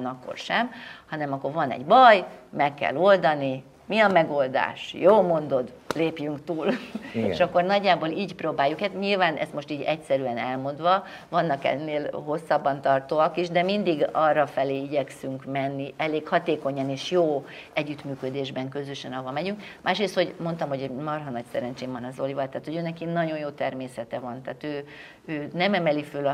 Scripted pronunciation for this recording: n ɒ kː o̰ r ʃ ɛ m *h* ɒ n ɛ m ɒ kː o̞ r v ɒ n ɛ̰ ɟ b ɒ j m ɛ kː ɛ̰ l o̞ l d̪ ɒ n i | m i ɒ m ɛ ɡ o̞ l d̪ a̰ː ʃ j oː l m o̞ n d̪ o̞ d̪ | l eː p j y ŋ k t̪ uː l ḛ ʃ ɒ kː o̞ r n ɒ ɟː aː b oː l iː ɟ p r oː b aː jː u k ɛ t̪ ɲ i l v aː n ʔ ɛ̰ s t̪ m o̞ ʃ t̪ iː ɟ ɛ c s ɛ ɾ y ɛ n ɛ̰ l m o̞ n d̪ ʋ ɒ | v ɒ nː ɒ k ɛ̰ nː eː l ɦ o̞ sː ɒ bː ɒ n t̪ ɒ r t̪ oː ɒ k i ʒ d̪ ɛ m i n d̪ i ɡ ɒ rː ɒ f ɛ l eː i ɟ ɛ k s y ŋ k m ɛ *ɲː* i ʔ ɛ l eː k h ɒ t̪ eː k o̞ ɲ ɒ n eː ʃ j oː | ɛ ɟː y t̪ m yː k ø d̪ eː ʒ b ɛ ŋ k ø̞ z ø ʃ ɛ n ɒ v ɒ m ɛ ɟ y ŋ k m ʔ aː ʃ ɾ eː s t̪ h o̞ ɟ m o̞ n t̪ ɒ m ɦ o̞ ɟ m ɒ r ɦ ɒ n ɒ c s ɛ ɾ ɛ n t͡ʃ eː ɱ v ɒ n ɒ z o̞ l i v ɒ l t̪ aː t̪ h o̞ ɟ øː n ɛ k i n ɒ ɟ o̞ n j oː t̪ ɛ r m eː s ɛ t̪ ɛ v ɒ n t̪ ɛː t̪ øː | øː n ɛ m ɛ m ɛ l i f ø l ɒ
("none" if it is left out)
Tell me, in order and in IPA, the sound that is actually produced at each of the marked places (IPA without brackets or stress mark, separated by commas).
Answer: h, nː